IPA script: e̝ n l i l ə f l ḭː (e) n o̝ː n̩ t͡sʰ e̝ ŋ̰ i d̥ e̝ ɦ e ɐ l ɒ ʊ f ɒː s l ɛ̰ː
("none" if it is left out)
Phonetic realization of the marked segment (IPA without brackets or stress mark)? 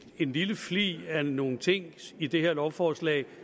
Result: æ